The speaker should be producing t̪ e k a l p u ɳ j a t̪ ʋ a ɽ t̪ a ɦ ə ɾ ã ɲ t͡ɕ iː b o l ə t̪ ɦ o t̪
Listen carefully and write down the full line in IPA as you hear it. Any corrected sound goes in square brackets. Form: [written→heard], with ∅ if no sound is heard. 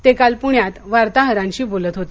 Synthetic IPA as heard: t̪ e k a l p u ɳ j a t̪ ʋ a [ɽ→ɾ] t̪ a ɦ ə ɾ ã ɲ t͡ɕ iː b o l ə t̪ ɦ o t̪